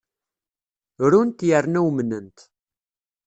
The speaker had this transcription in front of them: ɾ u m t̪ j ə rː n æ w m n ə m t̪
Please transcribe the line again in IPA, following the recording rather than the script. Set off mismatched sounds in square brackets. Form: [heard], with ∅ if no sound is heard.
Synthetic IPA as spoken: ɾ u [n] t̪ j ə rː n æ w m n ə [n] t̪